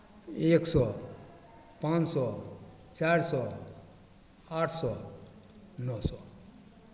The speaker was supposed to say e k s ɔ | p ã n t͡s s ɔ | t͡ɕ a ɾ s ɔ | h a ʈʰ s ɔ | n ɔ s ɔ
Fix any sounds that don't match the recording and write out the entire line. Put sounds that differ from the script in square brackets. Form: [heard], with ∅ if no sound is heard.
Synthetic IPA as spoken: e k s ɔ | p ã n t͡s s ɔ | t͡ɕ a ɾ s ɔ | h a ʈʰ s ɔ | n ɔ s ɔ